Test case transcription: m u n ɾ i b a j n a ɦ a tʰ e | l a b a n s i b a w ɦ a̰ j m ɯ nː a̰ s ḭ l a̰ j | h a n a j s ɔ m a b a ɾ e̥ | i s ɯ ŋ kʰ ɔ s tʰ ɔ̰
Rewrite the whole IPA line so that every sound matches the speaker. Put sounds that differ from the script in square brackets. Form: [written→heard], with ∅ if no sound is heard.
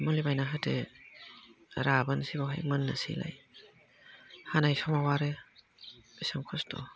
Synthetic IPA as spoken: m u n [ɾ→l] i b a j n a ɦ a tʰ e | [l→ɾ] a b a n s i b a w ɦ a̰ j m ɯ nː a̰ s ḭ l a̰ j | h a n a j s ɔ m a [b→w] a ɾ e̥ | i s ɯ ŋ kʰ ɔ s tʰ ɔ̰

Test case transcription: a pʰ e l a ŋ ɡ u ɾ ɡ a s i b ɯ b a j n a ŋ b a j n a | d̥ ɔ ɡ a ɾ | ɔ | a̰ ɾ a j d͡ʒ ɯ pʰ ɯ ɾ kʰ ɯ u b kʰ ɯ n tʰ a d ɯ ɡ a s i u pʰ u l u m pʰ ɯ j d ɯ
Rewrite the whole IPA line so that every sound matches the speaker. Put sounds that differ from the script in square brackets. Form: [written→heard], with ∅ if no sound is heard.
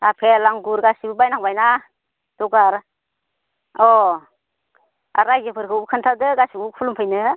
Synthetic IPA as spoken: a pʰ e l a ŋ ɡ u ɾ ɡ a s i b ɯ b a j n a ŋ b a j n a | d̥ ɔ ɡ a ɾ | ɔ | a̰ ɾ a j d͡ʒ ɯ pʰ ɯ ɾ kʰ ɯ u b kʰ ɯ n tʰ a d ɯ ɡ a s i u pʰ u l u m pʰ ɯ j [d→n] ɯ

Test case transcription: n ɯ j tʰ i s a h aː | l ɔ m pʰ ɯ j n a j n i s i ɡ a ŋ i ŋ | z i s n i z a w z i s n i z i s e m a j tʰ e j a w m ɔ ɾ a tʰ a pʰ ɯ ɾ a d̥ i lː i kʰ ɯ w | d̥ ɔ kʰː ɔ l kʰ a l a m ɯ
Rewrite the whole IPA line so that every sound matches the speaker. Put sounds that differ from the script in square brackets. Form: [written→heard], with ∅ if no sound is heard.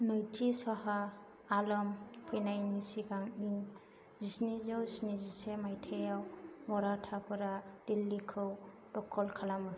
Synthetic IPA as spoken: n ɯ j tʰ i s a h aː | l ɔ m pʰ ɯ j n a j n i s i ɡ a ŋ i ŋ | z i s n i z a w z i s n i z i s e m a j tʰ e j a w m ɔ ɾ a tʰ a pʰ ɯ ɾ a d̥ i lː i kʰ ɯ w | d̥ ɔ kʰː ɔ l kʰ a l a m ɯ

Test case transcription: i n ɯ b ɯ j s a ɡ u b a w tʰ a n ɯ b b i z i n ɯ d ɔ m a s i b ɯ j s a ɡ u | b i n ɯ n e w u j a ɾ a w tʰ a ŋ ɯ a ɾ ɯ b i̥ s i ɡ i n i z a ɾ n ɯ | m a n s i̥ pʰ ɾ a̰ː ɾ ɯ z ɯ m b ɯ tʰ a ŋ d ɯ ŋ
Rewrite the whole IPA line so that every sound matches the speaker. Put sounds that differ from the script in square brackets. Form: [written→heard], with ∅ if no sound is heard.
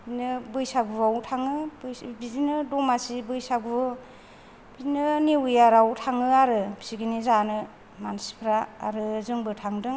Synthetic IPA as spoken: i n ɯ b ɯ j s a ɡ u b a w tʰ a [n→ŋ] ɯ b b i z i n ɯ d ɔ m a s i b ɯ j s a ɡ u | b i n ɯ n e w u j a ɾ a w tʰ a ŋ ɯ a ɾ ɯ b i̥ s i ɡ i n i z a [ɾ→∅] n ɯ | m a n s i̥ pʰ ɾ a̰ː ɾ ɯ z ɯ [m→ŋ] b ɯ tʰ a ŋ d ɯ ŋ

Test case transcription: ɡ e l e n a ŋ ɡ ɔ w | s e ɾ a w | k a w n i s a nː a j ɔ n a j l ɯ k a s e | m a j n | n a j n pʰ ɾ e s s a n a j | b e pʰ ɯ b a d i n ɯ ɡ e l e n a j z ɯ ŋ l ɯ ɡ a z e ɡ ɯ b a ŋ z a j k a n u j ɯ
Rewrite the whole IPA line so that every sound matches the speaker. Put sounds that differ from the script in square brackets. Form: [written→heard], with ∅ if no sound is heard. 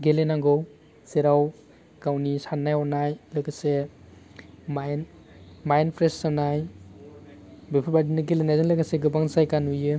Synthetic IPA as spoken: ɡ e l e n a ŋ ɡ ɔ w | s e ɾ a w | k a w n i s a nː a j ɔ n a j l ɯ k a s e | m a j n | [n→m] a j n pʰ ɾ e s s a n a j | b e pʰ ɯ b a d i n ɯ ɡ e l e n a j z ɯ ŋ l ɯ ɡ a [z→s] e ɡ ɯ b a ŋ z a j k a n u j ɯ

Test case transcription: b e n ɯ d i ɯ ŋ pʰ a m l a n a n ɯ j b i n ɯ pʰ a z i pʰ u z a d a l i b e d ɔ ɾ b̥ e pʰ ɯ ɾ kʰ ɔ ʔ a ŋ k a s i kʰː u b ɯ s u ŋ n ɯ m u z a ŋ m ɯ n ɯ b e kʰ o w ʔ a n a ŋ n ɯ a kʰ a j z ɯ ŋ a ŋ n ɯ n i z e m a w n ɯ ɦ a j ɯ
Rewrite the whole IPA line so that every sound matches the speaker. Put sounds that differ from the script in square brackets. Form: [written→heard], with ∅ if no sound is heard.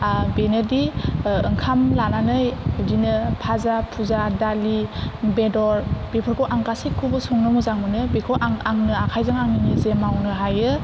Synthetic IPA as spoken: b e n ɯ d i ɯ ŋ [pʰ→kʰ] a m l a n a n ɯ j [b→d] i n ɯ pʰ a z [i→a] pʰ u z a d a l i b e d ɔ ɾ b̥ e pʰ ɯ ɾ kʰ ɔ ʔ a ŋ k a s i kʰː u b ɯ s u ŋ n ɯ m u z a ŋ m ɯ n ɯ b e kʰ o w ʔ a [n→ŋ] a ŋ n ɯ a kʰ a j z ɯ ŋ a ŋ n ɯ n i z e m a w n ɯ ɦ a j ɯ

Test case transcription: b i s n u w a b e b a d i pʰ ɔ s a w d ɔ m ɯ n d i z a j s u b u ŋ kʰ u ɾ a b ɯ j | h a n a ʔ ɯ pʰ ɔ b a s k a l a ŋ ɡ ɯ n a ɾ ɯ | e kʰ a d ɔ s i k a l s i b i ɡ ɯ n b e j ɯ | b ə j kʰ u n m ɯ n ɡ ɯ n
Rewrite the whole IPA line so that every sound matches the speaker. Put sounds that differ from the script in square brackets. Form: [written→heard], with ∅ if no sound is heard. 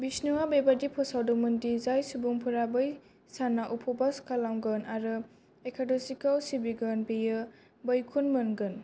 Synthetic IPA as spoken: b i s n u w a b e b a d i pʰ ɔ s a w d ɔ m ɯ n d i z a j s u b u ŋ [kʰ→pʰ] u ɾ a b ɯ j | [h→s] a n a ʔ [ɯ→u] pʰ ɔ b a s k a l a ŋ ɡ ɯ n a ɾ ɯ | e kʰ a d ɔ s i k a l s i b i ɡ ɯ n b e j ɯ | b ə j kʰ u n m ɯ n ɡ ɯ n

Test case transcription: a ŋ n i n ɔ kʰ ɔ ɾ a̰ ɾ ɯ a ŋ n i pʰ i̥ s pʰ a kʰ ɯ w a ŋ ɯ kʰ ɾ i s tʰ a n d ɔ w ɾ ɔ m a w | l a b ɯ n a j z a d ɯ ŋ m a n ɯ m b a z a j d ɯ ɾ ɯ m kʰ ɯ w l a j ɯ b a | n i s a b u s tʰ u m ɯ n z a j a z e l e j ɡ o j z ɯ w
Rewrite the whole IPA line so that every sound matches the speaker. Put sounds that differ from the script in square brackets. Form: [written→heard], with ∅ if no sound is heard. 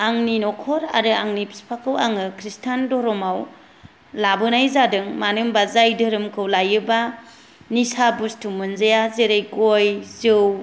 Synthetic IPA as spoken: a ŋ n i n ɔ kʰ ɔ ɾ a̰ ɾ ɯ a ŋ n i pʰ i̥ s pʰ a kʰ ɯ w a ŋ ɯ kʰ ɾ i s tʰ a n d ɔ [w→∅] ɾ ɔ m a w | l a b ɯ n a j z a d ɯ ŋ m a n ɯ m b a z a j d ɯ ɾ ɯ m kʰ ɯ w l a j ɯ b a | n i s a b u s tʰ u m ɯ n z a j a z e [l→ɾ] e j ɡ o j z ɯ w

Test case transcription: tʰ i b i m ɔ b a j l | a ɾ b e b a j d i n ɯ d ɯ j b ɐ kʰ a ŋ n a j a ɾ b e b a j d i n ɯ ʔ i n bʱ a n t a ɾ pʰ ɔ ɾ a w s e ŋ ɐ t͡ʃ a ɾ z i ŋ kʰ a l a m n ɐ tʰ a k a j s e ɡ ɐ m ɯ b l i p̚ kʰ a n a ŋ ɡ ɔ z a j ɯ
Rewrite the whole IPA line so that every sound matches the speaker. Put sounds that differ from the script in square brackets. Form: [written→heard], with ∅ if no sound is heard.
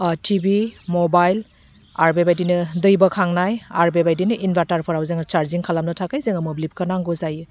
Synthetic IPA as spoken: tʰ i b i m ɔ b a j l | a ɾ b e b a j d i n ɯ d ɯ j b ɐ kʰ a ŋ n a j a ɾ b e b a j d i n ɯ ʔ i n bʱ a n t a ɾ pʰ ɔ ɾ a w [s→z] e ŋ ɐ t͡ʃ a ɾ z i ŋ kʰ a l a m n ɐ tʰ a k a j [s→z] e [ɡ→ŋ] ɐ m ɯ b l i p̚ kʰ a n a ŋ ɡ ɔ z a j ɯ

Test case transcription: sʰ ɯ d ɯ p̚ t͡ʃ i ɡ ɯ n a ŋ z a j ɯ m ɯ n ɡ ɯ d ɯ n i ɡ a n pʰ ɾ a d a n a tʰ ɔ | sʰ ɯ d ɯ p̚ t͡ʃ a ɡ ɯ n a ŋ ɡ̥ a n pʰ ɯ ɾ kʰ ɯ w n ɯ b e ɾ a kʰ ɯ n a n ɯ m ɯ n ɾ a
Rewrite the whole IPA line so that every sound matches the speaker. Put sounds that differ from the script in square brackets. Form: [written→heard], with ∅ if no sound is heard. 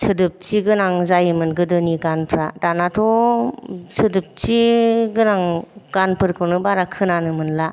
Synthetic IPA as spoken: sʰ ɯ d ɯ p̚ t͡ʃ i ɡ ɯ n a ŋ z a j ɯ m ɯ n ɡ ɯ d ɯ n i ɡ a n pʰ ɾ a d a n a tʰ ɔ | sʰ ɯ d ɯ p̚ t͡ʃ [a→i] ɡ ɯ n a ŋ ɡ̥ a n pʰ ɯ ɾ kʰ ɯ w n ɯ b [e→a] ɾ a kʰ ɯ n a n ɯ m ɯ n [ɾ→l] a

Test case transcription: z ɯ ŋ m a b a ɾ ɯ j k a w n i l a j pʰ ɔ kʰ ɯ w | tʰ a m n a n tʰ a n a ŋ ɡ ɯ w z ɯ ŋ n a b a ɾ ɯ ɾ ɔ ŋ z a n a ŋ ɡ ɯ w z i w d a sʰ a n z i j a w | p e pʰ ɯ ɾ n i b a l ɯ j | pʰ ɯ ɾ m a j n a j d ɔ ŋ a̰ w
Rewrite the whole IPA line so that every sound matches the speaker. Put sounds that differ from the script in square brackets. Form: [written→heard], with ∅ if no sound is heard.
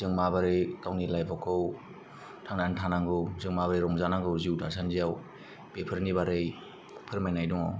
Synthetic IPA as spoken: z ɯ ŋ m a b a ɾ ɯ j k a w n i l a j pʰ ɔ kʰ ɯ w | tʰ a [m→ŋ] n a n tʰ a n a ŋ ɡ ɯ w z ɯ ŋ [n→m] a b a ɾ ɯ ɾ ɔ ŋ z a n a ŋ ɡ ɯ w z i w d a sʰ a n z i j a w | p e pʰ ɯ ɾ n i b a [l→ɾ] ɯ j | pʰ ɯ ɾ m a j n a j d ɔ ŋ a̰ w

